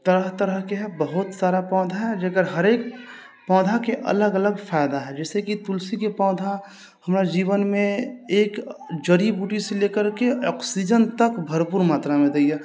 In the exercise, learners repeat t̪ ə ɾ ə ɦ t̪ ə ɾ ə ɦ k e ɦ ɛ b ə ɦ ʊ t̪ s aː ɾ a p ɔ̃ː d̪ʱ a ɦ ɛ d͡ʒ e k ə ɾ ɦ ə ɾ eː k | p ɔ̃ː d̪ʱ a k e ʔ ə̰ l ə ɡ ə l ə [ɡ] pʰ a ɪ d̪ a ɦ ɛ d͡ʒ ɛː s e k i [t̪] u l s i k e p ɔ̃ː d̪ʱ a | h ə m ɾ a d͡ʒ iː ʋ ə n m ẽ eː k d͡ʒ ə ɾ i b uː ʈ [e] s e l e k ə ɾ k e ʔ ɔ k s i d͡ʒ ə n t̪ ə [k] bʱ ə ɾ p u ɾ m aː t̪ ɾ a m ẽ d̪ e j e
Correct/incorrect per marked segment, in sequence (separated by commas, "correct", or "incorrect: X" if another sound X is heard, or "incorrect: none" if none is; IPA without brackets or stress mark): correct, correct, incorrect: i, correct